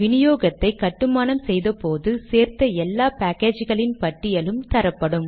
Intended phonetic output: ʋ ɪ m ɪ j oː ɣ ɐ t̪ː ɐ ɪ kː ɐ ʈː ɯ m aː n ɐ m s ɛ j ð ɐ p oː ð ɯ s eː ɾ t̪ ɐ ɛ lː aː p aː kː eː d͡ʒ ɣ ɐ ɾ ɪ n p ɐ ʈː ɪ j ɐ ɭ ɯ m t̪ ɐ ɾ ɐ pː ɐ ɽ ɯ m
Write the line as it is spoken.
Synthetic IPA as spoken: ʋ ɪ n ɪ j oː ɣ ɐ t̪ː ɐ ɪ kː ɐ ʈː ɯ m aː n ɐ m s ɛ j ð ɐ p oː ð ɯ s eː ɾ t̪ ɐ ɛ lː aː p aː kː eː d͡ʒ ɣ ɐ ɭ ɪ n p ɐ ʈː ɪ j ɐ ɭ ɯ m t̪ ɐ ɾ ɐ pː ɐ ɽ ɯ m